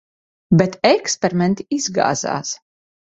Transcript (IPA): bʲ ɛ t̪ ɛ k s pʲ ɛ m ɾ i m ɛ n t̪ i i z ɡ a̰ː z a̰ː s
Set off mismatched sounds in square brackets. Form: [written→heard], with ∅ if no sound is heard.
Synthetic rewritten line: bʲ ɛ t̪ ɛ k s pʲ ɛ [m→∅] ɾ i m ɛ n t̪ i i z ɡ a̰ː z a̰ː s